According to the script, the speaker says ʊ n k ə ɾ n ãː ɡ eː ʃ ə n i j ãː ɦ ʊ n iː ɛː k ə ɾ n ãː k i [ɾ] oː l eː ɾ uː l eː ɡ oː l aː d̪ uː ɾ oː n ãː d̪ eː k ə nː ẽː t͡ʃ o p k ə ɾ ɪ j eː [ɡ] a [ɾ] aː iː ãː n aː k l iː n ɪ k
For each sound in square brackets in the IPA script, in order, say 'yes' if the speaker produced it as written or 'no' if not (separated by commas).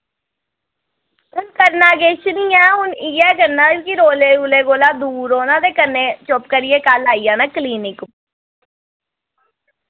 yes, no, no